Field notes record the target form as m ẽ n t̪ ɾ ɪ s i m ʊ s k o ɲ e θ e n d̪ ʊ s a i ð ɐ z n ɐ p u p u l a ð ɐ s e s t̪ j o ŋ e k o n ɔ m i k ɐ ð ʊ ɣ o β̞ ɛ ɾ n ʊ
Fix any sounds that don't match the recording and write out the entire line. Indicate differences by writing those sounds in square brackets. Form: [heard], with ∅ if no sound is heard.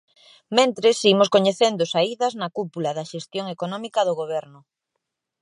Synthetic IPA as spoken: m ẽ n t̪ ɾ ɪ s i m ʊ s k o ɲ e θ e n d̪ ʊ s a i ð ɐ z n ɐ [k] u p u l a ð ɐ [ʃ] e s t̪ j o ŋ e k o n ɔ m i k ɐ ð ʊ ɣ o β̞ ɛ ɾ n ʊ